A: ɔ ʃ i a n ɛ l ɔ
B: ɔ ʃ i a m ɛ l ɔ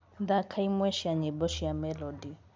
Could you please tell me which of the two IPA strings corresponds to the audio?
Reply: B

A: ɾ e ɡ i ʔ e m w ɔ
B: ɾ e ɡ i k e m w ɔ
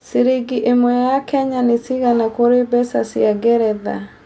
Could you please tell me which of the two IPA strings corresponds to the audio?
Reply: A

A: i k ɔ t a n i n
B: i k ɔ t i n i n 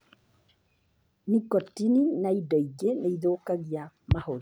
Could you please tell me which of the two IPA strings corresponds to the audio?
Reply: B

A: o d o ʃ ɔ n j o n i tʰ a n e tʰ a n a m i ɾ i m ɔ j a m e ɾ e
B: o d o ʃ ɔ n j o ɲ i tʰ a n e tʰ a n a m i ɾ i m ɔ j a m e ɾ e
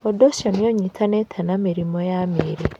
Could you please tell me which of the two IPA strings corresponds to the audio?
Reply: B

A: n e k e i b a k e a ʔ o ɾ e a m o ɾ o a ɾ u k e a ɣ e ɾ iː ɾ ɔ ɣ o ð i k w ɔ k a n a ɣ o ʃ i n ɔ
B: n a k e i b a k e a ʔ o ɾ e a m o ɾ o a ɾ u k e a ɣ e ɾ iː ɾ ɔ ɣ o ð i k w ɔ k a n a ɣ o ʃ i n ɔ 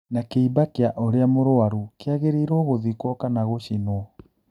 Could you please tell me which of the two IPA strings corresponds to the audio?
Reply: B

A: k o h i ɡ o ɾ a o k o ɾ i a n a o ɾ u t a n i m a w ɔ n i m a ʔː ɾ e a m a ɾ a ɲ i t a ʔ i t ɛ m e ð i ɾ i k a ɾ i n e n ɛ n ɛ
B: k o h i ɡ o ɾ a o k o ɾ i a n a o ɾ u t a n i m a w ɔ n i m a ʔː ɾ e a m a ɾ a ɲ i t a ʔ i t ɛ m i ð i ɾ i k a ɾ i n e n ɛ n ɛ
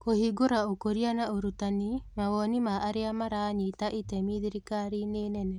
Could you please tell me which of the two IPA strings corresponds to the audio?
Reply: B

